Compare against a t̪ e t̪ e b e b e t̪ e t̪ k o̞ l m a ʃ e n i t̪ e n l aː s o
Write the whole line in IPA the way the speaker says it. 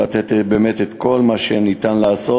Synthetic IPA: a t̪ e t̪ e b e m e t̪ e t̪ k o̞ l m a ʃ e n i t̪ a n l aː s o